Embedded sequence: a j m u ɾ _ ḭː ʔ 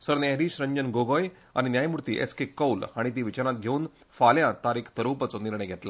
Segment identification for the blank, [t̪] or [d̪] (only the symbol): t̪